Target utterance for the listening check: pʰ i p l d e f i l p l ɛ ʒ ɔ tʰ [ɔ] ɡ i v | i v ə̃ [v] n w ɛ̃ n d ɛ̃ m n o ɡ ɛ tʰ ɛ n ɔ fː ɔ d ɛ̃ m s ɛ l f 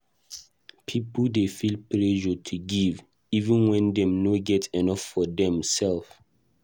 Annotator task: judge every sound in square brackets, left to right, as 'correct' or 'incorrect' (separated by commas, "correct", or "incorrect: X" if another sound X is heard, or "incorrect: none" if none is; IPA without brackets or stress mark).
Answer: incorrect: u, incorrect: none